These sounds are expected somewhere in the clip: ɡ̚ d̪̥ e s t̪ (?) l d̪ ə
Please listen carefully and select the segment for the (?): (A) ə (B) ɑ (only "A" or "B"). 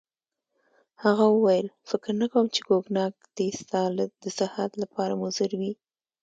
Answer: B